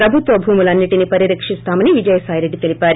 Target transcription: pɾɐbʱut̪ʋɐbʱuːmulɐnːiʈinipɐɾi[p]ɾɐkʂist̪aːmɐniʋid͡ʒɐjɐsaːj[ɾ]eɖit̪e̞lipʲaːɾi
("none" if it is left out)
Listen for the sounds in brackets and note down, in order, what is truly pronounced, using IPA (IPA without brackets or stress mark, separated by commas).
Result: none, ɾ